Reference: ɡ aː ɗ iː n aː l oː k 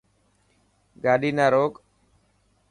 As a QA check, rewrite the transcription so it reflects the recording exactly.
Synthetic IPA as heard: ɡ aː ɗ iː n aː ɾ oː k